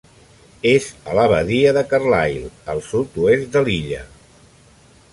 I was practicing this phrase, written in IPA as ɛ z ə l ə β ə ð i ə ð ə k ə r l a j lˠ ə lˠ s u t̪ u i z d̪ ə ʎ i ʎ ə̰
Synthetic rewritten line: e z ə l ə β ə ð i ə ð ə k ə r l a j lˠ ə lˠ s u t̪ u e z d̪ ə l i ʎ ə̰